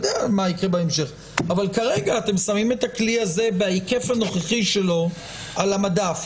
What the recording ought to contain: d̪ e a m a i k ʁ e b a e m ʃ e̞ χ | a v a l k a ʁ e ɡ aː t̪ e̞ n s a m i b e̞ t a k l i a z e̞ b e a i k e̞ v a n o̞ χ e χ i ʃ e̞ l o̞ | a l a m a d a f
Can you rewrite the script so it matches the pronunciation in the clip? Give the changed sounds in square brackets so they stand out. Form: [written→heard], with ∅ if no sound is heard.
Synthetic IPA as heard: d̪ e a m a i k ʁ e b a e m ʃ e̞ χ | a v a l k a ʁ e ɡ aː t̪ e̞ [n→m] s a m i [b→m] e̞ t a k l i a z e̞ b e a i k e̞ [v→f] a n o̞ χ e χ i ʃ e̞ l o̞ | a l a m a d a f